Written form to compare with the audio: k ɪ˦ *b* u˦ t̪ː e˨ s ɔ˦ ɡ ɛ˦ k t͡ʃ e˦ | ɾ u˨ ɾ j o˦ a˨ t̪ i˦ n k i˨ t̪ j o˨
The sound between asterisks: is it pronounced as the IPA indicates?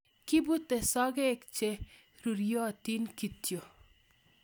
yes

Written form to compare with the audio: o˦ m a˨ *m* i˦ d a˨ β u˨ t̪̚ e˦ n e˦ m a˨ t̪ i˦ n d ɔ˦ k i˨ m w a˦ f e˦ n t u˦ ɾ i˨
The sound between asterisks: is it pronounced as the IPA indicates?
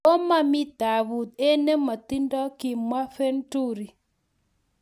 yes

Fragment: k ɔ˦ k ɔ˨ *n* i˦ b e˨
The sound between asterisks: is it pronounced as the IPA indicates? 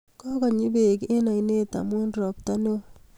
no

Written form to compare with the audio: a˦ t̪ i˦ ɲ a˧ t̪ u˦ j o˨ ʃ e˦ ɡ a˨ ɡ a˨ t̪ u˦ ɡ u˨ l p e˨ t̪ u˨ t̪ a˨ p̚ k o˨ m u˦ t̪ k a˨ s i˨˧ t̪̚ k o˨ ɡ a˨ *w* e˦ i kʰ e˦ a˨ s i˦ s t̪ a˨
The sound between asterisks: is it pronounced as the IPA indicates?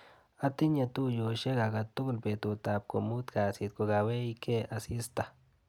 yes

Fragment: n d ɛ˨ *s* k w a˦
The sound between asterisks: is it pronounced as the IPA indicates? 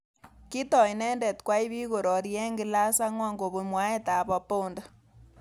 no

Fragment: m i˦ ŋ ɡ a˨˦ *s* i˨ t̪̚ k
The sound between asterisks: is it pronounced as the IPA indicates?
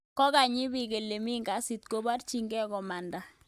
yes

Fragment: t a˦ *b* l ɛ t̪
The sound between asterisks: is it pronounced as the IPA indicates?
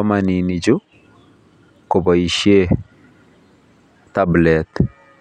yes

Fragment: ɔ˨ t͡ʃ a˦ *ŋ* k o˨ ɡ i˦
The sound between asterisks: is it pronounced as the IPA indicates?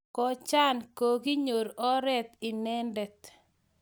no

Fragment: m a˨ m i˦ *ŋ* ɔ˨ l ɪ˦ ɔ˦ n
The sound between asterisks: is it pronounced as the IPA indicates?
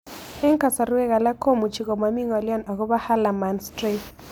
yes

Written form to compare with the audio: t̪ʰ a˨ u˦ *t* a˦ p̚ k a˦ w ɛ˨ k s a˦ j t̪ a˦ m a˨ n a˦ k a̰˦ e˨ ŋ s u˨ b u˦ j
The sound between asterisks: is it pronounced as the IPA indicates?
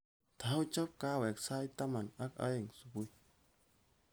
no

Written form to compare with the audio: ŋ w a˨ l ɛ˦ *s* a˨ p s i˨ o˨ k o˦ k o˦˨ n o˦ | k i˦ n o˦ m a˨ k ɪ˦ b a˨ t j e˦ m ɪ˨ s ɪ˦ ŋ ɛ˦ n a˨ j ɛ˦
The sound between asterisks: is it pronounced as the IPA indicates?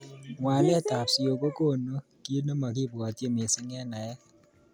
no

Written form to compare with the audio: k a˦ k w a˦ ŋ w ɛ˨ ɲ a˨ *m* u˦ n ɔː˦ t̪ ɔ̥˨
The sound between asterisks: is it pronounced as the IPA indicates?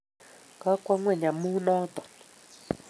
yes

